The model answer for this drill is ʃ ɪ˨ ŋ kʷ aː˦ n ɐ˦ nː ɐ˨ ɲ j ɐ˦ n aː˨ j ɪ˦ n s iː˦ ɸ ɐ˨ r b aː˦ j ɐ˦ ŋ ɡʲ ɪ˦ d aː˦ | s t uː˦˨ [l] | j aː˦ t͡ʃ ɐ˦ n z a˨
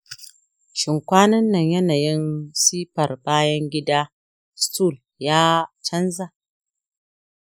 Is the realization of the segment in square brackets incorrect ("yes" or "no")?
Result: no